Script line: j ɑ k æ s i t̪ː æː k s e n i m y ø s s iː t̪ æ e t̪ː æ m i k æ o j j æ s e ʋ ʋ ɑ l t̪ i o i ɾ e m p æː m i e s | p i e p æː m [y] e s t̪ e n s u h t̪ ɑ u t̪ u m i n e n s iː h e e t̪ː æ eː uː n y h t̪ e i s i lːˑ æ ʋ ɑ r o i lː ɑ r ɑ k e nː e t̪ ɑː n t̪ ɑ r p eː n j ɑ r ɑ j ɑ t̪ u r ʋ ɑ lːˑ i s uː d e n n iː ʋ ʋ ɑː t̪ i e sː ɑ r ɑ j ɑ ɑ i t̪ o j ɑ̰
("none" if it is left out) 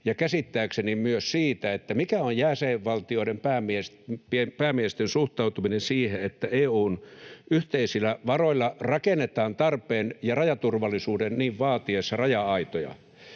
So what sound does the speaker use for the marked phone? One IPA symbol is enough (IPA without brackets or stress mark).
i